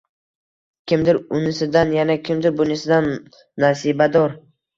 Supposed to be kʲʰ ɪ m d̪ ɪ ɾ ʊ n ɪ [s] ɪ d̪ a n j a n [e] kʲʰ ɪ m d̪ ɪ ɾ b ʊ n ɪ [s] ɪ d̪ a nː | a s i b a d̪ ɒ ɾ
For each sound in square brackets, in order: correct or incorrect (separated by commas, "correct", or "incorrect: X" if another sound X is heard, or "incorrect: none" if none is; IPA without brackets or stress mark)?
correct, incorrect: a, correct